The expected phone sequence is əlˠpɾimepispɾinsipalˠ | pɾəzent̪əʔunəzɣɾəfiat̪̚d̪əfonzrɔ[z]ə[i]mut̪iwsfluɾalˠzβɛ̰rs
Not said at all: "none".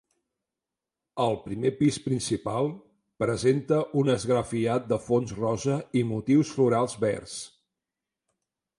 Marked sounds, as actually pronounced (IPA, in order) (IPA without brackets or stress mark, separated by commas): z, i